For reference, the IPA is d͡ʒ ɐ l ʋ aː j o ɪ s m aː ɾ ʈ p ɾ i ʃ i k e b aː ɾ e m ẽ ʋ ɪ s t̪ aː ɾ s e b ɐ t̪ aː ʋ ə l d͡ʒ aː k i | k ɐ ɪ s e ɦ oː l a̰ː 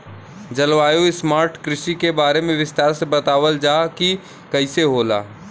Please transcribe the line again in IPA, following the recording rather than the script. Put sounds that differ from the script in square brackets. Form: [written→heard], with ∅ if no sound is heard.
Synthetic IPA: d͡ʒ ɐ l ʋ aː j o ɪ s m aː ɾ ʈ [p→k] ɾ [i→ɪ] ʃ i k e b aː ɾ e m ẽ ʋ ɪ s t̪ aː ɾ s e b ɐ t̪ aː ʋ ə l d͡ʒ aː k i | k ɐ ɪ s e ɦ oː l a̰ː

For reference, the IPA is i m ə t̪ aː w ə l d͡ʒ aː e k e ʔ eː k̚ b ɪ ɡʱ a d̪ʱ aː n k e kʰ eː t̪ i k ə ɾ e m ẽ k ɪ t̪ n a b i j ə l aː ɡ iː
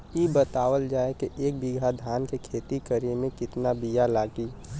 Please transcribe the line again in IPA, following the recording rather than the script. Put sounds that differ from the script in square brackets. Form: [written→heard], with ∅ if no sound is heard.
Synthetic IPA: i [m→b] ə t̪ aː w ə l d͡ʒ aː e k e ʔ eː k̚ b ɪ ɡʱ a d̪ʱ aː n k e kʰ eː t̪ i k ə ɾ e m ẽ k ɪ t̪ n a b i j [ə→a] l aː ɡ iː

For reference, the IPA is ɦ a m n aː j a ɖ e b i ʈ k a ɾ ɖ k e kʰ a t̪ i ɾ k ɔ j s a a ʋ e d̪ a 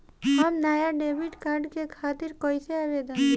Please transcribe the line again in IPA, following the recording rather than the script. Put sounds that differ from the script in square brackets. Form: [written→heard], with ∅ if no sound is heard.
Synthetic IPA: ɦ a m n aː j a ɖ e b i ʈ k a ɾ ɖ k e kʰ a t̪ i ɾ k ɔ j s [a→e] a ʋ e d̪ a

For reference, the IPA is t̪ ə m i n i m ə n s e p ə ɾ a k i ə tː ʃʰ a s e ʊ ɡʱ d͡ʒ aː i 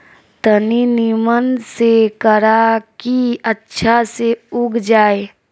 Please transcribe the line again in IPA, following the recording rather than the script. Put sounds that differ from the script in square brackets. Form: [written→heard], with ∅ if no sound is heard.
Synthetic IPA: t̪ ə [m→n] i n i m ə n s e [p→k] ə ɾ a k i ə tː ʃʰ a s e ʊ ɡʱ d͡ʒ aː [i→e]

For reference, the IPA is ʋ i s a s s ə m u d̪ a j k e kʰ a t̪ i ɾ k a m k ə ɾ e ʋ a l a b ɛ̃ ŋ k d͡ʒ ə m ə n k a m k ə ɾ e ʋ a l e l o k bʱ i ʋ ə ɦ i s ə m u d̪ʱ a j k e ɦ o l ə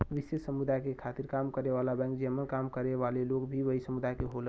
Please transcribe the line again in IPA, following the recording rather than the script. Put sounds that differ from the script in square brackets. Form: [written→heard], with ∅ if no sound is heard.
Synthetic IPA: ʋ i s [a→e] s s ə m u d̪ a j k e kʰ a t̪ i ɾ k a m k ə ɾ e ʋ a l a b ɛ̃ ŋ k d͡ʒ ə m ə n k a m k ə ɾ e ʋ a l e l o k bʱ i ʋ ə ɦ i s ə m u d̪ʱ a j k e ɦ o l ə

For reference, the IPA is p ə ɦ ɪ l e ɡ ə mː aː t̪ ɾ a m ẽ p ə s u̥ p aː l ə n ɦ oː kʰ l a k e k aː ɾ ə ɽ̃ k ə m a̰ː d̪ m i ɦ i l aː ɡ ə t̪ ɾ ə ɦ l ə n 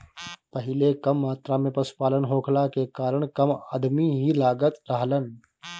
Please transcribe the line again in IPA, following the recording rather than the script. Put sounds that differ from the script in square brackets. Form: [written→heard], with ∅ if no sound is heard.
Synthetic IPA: p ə ɦ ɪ l e [ɡ→k] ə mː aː t̪ ɾ a m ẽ p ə s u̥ p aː l ə n ɦ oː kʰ l a k e k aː ɾ ə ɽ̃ k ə m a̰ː d̪ m i ɦ i l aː ɡ ə t̪ ɾ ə ɦ l ə n

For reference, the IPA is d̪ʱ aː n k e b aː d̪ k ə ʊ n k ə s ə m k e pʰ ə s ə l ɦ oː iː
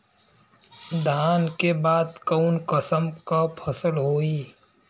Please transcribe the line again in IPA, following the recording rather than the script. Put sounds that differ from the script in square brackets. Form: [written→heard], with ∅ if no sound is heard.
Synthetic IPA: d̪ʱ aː n k e b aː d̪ k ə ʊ n k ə s ə m k [e→a] pʰ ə s ə l ɦ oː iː

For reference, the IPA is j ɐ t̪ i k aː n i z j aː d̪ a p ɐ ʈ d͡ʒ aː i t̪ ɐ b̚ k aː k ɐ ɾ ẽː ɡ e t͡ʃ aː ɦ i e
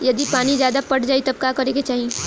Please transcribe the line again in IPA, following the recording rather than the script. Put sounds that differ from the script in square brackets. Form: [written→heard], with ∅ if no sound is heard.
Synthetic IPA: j ɐ [t̪→d̪] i [k→p] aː n i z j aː d̪ a p ɐ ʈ d͡ʒ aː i t̪ ɐ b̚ k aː k ɐ ɾ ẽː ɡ e t͡ʃ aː ɦ i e

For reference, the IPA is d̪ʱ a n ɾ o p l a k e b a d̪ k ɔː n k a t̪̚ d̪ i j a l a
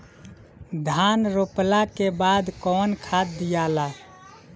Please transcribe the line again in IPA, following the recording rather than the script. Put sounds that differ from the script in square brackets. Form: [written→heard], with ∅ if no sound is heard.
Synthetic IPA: d̪ʱ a n ɾ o p l a k e b a d̪ k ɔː n [k→kʰ] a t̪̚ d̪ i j a l a

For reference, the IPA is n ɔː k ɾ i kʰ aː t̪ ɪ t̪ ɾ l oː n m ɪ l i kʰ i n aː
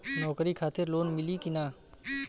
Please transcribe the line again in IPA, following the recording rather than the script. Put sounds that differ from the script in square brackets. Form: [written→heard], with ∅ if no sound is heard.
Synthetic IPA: n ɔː k ɾ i kʰ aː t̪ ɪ [t̪→∅] ɾ l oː n m ɪ l i [kʰ→k] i n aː

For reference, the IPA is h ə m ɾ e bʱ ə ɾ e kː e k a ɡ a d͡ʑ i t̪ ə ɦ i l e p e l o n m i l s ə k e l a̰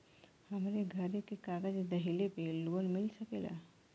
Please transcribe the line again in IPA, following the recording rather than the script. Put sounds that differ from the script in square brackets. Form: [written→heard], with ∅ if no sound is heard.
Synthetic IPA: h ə m ɾ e [bʱ→ɡʱ] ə ɾ e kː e k a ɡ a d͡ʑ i [t̪→d̪] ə ɦ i l e p e l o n m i l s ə k e l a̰

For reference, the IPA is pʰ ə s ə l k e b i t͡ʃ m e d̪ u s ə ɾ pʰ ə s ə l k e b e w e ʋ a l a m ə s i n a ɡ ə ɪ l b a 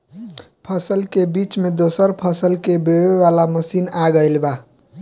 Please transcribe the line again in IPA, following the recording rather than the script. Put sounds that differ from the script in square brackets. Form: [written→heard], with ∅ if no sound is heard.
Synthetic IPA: pʰ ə s ə l k e b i t͡ʃ m e d̪ [u→o] s ə ɾ pʰ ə s ə l k e b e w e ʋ a l a m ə s i n a ɡ ə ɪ l b a

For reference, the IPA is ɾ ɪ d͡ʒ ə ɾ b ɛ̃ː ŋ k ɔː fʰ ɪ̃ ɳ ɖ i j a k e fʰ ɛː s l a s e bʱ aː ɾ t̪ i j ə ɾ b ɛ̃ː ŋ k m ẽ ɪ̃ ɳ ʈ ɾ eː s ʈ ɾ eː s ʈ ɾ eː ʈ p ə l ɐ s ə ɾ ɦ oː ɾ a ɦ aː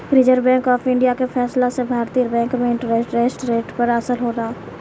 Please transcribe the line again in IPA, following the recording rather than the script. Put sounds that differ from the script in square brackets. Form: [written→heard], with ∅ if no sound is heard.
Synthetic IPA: ɾ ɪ d͡ʒ ə ɾ b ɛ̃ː ŋ k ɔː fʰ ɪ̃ ɳ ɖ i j a k e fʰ ɛː s l a s e bʱ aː ɾ t̪ i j ə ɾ b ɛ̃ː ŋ k m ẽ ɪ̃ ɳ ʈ ɾ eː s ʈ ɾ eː s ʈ ɾ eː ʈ p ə [l→ɾ] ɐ s ə [ɾ→l] ɦ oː ɾ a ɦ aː

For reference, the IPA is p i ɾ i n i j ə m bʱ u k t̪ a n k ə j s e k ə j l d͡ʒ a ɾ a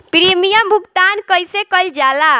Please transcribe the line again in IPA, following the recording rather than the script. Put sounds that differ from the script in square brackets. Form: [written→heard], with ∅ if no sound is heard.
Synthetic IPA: p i ɾ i [n→m] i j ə m bʱ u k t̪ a n k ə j s e k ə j l d͡ʒ a [ɾ→l] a

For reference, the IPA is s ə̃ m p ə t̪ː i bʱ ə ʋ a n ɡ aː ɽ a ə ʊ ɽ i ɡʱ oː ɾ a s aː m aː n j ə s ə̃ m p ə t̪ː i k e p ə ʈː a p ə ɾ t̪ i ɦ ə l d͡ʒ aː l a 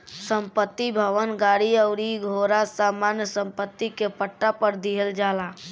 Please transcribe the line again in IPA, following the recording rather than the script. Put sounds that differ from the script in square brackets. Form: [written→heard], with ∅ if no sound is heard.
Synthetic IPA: s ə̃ m p ə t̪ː i bʱ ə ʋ [a→ə] n ɡ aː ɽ [a→i] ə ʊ [ɽ→ɾ] i ɡʱ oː ɾ a s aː m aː n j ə s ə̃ m p ə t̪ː i k e p ə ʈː a p ə ɾ [t̪→d̪] i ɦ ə l d͡ʒ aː l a

